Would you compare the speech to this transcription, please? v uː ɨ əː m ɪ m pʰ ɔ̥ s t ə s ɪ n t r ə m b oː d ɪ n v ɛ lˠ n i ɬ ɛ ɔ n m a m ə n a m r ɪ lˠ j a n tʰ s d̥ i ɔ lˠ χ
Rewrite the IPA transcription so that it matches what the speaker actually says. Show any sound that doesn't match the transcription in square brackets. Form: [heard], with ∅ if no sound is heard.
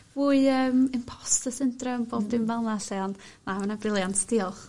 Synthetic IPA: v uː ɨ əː m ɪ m pʰ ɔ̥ s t ə s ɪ n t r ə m b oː d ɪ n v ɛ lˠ n [a] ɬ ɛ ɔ n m a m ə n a [b] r ɪ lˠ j a n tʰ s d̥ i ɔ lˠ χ

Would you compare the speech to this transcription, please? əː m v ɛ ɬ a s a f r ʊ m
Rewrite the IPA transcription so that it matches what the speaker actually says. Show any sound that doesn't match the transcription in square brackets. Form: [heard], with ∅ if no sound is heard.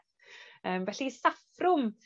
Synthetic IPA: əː m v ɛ ɬ [i] s a f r ʊ m

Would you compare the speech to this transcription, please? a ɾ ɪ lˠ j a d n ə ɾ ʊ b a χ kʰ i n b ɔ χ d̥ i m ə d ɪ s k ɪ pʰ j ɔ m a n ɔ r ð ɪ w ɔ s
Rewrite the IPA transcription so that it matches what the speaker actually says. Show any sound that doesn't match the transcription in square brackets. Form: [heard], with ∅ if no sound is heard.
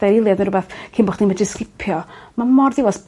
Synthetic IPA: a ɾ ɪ lˠ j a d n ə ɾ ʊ b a [θ] kʰ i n b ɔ χ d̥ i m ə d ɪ s k ɪ pʰ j ɔ m a [m] ɔ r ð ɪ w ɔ s

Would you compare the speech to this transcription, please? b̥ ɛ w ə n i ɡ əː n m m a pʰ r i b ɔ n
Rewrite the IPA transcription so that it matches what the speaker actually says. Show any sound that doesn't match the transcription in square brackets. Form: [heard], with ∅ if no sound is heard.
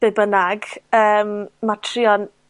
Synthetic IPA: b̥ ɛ [b] ə n [a] ɡ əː [∅] m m a [tʰ] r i [∅] ɔ n

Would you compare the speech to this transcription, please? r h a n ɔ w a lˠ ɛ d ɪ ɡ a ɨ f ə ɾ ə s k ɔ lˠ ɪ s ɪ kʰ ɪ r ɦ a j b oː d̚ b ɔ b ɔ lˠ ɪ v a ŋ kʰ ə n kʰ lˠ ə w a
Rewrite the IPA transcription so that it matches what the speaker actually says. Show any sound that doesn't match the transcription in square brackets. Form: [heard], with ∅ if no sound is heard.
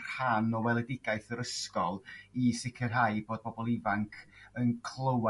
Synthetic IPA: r h a n ɔ w [ɛ] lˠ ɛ d ɪ ɡ a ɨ [θ] ə ɾ ə s k ɔ lˠ [i] s ɪ kʰ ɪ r ɦ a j b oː d̚ b ɔ b ɔ lˠ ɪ v a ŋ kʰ ə n kʰ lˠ ə w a

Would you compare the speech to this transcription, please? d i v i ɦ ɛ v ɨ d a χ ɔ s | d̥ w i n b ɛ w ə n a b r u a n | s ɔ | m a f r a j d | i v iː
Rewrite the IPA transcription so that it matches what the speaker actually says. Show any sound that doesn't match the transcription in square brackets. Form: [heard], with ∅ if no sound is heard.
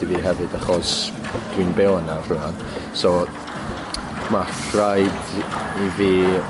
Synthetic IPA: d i v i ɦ ɛ v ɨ d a χ ɔ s | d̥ w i n b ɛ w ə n a [v] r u a n | s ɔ | m a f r a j d | i v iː

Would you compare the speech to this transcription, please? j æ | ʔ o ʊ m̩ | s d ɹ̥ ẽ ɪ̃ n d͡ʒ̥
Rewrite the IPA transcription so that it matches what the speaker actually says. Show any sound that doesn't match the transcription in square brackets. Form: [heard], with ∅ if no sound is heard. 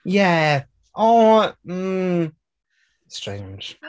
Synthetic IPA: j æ | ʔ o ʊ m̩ | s [t] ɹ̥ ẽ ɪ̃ n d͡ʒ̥

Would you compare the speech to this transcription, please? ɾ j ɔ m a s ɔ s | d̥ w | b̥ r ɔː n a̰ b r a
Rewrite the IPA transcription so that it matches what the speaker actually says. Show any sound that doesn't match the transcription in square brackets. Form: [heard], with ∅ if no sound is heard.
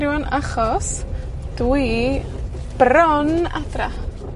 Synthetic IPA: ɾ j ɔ [n] a [χ] ɔ s | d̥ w | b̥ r [ɔ] n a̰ [d] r a

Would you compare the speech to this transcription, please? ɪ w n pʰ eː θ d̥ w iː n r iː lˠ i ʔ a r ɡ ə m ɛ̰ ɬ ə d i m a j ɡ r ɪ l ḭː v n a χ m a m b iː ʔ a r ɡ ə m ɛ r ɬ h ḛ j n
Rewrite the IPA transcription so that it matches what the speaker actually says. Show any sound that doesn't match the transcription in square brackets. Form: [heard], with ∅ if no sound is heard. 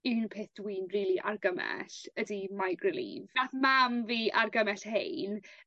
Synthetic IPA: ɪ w n pʰ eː θ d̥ w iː n r iː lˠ i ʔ a r ɡ ə m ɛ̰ ɬ ə d i m a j ɡ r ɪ l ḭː v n a [θ] m a m [v] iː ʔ a r ɡ ə m ɛ [∅] ɬ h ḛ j n

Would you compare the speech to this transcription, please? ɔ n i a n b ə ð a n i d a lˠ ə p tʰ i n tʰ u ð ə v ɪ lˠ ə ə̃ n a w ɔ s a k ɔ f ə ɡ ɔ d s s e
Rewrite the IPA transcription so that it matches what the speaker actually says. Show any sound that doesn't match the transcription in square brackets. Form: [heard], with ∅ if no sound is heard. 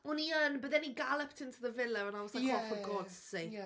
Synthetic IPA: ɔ n i [ə] n b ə ð [ɛ] n i [ɡ] a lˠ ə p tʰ [ɪ] n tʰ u ð ə v ɪ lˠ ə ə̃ n a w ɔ s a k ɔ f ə ɡ ɔ d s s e

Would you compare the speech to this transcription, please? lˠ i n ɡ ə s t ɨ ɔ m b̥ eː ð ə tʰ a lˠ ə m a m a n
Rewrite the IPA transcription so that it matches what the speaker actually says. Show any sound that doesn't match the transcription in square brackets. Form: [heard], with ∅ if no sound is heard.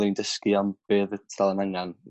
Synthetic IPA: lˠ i n [d] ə s [k] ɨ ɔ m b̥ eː ð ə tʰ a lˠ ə [n] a [ŋ] a n

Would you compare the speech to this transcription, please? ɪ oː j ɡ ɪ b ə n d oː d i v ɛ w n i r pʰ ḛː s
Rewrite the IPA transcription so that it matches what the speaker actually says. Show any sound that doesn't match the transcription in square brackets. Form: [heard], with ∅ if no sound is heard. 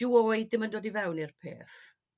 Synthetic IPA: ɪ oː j [d] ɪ [m] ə n d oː d i v ɛ w n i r pʰ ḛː [θ]

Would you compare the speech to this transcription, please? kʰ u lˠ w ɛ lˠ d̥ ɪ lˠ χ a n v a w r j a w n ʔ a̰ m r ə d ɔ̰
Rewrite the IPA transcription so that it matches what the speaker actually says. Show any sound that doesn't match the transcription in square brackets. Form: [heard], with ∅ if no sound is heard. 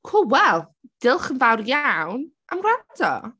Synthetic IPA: kʰ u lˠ w ɛ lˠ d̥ ɪ lˠ χ [ə] n v a w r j a w n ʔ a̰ m r [a] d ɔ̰

